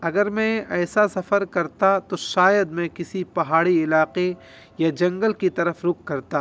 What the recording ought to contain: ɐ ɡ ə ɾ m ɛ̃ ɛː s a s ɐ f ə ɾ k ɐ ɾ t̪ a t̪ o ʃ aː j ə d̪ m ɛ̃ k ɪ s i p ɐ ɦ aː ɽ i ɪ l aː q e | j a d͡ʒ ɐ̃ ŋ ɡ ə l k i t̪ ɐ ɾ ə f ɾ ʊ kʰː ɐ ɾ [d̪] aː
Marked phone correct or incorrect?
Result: incorrect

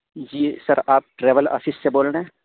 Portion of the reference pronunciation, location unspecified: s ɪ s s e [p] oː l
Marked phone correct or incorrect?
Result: incorrect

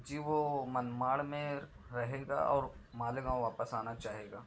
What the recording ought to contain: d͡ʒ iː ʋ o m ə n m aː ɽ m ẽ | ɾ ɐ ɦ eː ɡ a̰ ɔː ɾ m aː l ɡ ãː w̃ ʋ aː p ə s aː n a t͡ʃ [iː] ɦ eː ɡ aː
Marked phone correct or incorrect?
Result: incorrect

